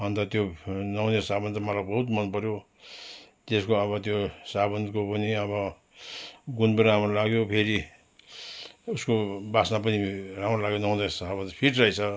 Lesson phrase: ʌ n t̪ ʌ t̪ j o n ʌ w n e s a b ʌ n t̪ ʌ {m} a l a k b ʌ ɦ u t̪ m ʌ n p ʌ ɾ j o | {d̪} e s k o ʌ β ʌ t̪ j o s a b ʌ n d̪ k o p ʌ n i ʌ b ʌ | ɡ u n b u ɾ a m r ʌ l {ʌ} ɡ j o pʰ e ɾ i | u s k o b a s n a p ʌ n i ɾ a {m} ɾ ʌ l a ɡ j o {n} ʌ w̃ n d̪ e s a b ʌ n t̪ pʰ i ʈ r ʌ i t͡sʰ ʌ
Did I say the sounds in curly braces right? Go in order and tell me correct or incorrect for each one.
correct, incorrect, incorrect, correct, correct

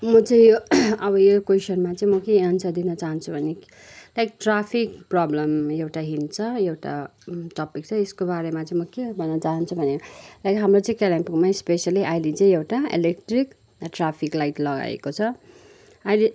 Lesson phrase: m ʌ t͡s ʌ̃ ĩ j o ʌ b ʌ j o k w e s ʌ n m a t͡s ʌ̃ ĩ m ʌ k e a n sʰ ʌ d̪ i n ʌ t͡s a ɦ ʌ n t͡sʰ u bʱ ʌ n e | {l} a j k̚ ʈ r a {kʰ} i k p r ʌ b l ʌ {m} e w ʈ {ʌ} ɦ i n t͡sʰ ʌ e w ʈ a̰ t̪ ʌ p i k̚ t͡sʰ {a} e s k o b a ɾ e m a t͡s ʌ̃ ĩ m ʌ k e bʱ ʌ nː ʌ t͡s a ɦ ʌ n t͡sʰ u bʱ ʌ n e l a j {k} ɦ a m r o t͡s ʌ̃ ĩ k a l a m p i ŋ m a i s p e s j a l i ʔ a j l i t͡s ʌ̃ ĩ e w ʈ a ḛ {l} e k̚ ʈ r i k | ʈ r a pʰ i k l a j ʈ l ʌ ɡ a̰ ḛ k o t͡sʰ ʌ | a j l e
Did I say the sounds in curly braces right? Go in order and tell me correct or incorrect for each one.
correct, incorrect, correct, incorrect, incorrect, correct, correct

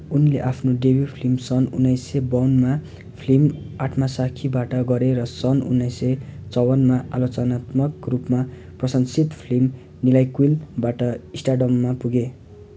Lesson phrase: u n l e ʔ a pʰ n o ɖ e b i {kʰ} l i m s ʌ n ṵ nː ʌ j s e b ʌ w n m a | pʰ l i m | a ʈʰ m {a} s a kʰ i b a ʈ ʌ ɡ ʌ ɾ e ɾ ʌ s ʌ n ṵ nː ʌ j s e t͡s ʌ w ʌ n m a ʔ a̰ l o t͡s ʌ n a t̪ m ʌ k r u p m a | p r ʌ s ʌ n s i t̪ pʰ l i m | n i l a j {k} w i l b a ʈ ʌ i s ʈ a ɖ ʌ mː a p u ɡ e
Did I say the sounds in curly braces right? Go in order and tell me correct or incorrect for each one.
incorrect, correct, correct

